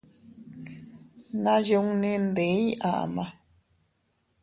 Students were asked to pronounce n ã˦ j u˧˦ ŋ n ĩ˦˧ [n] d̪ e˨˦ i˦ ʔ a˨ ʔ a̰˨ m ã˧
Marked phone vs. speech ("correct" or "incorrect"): correct